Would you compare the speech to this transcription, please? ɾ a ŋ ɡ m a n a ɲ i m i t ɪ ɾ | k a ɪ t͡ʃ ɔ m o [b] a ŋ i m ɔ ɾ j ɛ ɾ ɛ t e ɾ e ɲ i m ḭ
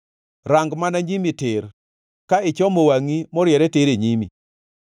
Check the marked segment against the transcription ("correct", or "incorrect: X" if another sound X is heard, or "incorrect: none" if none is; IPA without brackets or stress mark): incorrect: w